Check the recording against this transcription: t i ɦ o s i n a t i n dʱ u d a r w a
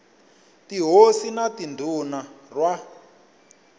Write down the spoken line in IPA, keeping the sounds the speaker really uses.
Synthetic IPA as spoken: t i ɦ o s i n a t i n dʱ u n a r w a